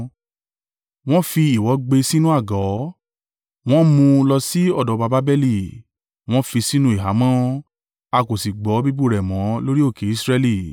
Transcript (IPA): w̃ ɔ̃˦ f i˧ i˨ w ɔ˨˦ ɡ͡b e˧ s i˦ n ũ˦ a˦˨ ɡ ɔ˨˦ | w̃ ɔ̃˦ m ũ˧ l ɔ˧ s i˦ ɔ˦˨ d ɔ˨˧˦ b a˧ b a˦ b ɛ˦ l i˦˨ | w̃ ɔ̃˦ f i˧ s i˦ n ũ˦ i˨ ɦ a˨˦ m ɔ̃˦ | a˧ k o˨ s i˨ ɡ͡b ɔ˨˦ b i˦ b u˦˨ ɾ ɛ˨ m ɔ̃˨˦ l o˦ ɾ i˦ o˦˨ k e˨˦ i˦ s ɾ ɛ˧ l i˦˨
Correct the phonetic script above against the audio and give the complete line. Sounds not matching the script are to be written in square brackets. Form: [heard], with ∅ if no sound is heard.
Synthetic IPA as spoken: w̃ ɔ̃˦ f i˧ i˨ w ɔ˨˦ ɡ͡b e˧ s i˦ n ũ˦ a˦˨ ɡ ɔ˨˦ | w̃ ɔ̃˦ m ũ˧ l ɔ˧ s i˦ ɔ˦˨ d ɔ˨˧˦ b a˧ b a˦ b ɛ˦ l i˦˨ | w̃ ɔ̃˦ f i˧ s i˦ n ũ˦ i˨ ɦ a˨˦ m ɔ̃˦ | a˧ k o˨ s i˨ ɡ͡b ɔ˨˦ b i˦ b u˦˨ ɾ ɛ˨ m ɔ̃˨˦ l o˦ ɾ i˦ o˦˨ k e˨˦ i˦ s ɾ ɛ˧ l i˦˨